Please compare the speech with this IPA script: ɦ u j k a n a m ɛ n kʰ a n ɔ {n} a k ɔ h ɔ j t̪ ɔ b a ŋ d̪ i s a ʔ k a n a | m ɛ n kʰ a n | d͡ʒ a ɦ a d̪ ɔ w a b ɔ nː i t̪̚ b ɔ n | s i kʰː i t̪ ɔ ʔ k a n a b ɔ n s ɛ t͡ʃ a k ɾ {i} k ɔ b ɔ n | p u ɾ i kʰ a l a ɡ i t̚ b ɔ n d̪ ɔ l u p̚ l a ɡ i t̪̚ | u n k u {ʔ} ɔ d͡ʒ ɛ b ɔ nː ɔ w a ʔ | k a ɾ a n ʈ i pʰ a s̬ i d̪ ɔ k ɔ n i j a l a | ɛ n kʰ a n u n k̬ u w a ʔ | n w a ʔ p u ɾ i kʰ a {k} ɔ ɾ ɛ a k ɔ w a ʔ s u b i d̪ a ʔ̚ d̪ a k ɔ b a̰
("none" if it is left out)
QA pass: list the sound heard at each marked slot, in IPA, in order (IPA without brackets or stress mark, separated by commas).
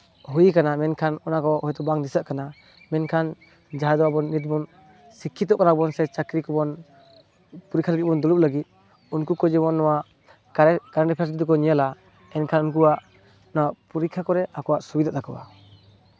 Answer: n, i, k, k